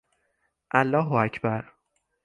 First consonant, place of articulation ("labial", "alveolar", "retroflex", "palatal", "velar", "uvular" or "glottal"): glottal